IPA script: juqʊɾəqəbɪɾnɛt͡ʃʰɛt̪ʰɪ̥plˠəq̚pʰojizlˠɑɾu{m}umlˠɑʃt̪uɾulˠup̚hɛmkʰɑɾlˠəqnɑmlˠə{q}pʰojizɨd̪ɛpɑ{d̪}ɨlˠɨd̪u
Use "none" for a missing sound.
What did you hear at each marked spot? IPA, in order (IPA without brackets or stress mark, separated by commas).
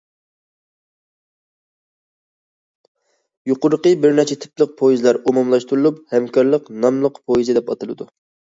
m, q, t̪